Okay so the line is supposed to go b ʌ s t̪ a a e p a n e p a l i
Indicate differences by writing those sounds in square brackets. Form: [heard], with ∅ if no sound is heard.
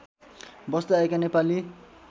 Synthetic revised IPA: b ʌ s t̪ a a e [k] a n e p a l i